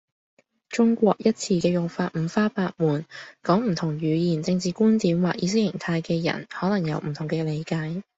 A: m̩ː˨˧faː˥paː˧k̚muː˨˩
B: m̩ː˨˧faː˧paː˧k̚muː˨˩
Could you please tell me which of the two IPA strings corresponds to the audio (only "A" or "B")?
A